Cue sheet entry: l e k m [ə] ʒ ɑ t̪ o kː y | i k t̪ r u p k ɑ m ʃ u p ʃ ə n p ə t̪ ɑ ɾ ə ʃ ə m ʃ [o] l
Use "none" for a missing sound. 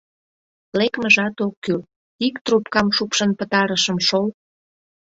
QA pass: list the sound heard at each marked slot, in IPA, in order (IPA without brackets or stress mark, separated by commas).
ə, o